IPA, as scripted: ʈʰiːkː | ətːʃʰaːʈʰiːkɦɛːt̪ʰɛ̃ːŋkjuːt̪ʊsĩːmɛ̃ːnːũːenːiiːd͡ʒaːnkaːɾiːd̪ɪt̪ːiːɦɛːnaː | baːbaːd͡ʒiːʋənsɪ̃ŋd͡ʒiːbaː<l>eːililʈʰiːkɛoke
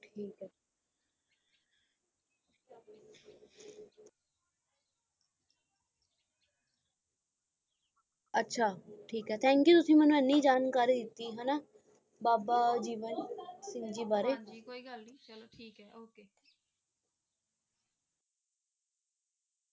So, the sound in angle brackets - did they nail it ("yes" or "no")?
no